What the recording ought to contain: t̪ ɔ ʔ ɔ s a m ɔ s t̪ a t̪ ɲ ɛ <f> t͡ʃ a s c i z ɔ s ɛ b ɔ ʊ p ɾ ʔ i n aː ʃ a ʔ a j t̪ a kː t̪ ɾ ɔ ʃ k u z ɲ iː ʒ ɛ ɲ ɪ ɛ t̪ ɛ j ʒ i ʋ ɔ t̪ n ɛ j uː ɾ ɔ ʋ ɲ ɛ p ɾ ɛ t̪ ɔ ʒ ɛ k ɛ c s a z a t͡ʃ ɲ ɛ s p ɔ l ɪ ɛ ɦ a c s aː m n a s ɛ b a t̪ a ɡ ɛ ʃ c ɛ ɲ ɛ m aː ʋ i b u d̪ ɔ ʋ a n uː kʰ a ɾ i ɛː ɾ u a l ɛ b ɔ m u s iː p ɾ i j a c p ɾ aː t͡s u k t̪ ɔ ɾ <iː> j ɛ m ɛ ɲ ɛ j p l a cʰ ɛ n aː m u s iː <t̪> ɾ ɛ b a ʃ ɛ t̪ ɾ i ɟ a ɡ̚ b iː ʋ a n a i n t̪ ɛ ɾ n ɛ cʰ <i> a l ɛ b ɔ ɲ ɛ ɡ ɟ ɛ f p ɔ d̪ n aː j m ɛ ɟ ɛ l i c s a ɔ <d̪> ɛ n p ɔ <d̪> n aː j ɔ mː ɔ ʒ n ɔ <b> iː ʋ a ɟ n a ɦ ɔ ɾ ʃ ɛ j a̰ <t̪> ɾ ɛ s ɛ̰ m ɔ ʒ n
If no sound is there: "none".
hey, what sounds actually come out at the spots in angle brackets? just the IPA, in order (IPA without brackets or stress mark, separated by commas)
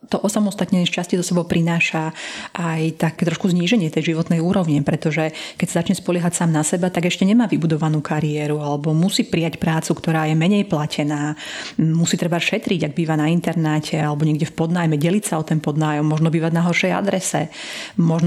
ʃ, aː, t̪, ɛ, t̪, d̪, b, d̪